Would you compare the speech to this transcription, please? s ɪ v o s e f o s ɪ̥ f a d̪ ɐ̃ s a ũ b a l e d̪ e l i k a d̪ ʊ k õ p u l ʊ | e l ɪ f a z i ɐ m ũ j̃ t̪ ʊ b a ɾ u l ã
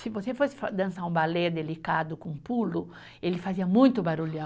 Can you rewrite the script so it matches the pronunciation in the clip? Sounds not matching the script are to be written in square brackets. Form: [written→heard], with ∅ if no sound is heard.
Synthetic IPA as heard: s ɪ v o s e f o s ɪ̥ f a d̪ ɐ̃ s a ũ b a l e d̪ e l i k a d̪ ʊ k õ p u l ʊ | e l ɪ f a z i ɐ m ũ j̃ t̪ ʊ b a ɾ u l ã

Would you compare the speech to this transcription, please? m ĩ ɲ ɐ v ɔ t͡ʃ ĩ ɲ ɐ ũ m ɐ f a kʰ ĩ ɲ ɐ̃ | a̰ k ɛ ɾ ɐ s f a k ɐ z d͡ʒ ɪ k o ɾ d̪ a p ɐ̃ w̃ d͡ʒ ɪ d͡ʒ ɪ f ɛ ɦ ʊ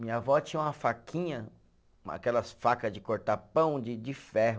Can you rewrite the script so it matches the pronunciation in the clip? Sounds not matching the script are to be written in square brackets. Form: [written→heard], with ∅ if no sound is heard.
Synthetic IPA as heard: m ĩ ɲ ɐ v ɔ t͡ʃ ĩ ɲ ɐ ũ m ɐ f a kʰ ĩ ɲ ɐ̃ | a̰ k ɛ [ɾ→l] ɐ s f a k ɐ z d͡ʒ ɪ k o ɾ [d̪→t̪] a p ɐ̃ w̃ d͡ʒ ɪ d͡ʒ ɪ f ɛ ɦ ʊ

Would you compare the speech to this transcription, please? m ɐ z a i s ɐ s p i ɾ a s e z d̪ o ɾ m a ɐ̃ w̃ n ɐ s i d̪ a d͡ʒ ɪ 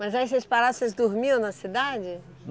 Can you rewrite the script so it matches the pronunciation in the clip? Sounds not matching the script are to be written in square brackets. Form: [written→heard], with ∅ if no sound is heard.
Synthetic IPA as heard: m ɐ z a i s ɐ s p [i→a] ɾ a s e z d̪ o ɾ m [a→i] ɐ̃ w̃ n ɐ s i d̪ a d͡ʒ ɪ

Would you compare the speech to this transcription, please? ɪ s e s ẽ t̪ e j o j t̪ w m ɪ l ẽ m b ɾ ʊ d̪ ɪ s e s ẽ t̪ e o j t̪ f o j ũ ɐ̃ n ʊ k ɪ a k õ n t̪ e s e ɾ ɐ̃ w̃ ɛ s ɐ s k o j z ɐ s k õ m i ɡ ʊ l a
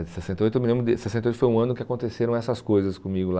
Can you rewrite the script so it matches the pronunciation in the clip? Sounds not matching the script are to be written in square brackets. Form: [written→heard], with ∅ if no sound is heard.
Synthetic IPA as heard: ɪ s e s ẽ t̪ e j o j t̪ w m ɪ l ẽ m b ɾ ʊ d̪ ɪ s e s ẽ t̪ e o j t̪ f o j ũ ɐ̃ n ʊ k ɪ a k õ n t̪ e s e ɾ ɐ̃ w̃ ɛ s ɐ s k o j z ɐ s k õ m i ɡ ʊ l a

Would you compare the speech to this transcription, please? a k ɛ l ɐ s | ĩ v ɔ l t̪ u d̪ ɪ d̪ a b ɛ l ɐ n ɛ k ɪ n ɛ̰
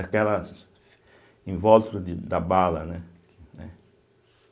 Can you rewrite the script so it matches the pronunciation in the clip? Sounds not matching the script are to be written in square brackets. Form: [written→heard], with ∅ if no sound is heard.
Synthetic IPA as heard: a k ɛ l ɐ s | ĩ v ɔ l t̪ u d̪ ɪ d̪ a b [ɛ→a] l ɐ n ɛ k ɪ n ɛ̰

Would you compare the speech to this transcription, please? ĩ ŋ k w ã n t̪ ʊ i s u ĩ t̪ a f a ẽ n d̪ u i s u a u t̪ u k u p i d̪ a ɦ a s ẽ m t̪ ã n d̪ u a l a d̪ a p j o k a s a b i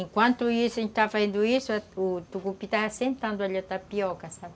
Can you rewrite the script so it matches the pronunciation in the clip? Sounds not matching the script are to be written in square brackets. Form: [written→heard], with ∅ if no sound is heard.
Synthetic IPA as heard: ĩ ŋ k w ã n t̪ [ʊ→u] i s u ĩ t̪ a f a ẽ n d̪ u i s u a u t̪ u k u p i [d̪→t̪] a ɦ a s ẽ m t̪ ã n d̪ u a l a [d̪→t̪] a p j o k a s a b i

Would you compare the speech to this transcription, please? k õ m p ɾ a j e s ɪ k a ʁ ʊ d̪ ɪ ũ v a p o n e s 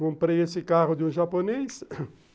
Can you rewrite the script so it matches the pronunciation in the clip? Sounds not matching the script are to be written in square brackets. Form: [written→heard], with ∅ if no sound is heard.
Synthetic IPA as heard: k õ m p ɾ [a→e] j e s ɪ k a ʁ ʊ d̪ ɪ ũ [v→ʒ] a p o n e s

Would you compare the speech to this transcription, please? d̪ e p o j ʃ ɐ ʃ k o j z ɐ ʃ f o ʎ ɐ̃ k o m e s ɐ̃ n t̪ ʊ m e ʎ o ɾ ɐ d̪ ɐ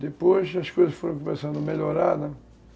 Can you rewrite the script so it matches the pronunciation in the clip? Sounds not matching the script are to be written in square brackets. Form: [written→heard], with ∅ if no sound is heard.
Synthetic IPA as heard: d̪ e p o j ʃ ɐ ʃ k o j z ɐ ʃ f o [ʎ→ɾ] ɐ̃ k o m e s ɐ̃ n [t̪→d̪] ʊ m e ʎ o ɾ [ɐ→a] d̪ ɐ

